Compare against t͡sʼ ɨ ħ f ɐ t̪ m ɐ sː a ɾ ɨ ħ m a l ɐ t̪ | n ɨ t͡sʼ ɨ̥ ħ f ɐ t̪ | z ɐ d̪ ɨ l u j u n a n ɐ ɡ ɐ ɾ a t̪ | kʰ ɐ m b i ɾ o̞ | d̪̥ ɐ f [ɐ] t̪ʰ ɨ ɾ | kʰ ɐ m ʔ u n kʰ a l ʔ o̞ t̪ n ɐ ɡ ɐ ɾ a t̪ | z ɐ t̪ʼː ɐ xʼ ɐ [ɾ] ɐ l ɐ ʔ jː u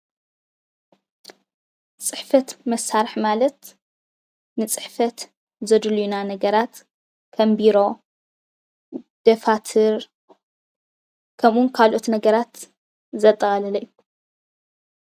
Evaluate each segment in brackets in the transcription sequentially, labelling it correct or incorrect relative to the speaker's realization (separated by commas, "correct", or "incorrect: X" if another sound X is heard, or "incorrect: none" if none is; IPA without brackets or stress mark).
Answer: incorrect: a, incorrect: l